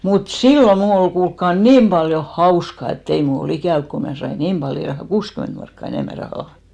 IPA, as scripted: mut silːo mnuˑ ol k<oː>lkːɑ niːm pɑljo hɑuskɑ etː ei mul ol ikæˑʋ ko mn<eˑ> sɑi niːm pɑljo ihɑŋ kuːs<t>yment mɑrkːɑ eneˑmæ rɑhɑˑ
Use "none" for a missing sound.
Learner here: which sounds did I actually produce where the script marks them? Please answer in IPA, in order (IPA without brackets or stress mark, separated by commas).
uː, æˑ, k